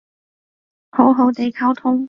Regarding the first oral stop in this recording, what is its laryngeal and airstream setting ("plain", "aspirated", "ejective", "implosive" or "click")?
plain